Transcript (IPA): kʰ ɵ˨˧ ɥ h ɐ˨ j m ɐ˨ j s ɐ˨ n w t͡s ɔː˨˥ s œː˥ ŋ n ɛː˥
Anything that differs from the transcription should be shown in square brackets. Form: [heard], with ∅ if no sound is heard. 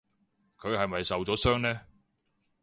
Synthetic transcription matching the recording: kʰ ɵ˨˧ ɥ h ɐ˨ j m ɐ˨ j s ɐ˨ [∅] w t͡s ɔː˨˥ s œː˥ ŋ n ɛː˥